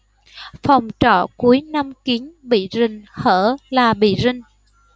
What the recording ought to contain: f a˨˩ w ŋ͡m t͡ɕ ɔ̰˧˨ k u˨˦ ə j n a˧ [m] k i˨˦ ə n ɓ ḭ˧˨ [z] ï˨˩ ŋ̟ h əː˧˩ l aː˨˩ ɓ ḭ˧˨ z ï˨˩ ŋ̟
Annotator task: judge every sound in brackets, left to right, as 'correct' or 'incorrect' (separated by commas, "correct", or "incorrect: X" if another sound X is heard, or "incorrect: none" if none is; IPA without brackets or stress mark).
correct, correct